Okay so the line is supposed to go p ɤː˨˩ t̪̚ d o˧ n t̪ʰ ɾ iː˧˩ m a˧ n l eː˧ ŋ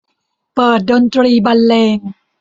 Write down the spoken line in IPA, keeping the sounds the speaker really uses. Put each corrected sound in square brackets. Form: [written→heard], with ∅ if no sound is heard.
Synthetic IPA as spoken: p ɤː˨˩ t̪̚ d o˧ n [t̪ʰ→t̪] ɾ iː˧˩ [m→b] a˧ n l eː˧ ŋ